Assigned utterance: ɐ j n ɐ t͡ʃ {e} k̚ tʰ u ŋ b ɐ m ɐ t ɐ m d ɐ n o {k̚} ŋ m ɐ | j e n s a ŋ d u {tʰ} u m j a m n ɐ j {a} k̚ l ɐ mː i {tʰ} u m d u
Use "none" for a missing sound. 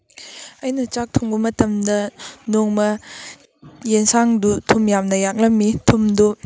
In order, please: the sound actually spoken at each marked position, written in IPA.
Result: a, none, tʰ, a, tʰ

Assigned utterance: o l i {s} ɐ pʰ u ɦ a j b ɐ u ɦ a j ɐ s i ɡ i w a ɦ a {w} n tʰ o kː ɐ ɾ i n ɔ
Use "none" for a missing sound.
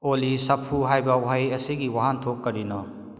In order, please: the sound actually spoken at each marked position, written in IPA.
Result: s, none

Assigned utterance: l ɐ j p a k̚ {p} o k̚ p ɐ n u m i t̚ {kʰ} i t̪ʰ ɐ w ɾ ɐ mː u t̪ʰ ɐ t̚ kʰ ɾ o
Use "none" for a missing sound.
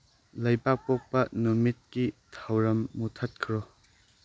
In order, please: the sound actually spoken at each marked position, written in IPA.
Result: p, k

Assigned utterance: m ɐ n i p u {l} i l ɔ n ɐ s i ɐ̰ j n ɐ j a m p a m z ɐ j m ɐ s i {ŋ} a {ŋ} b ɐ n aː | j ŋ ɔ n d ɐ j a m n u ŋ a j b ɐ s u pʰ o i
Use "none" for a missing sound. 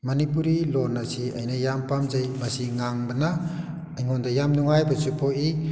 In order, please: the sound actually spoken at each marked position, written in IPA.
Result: ɾ, ŋ, ŋ

